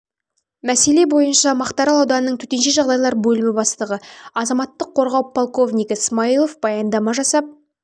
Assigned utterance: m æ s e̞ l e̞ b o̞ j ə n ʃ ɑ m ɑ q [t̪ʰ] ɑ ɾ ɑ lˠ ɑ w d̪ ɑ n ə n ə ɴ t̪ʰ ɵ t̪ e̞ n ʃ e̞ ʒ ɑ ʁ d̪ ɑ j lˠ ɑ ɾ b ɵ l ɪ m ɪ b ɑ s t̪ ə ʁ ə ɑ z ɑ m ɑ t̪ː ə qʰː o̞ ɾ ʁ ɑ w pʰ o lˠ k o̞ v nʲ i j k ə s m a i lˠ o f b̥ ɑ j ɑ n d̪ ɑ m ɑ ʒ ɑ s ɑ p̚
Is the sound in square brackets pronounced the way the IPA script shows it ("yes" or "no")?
no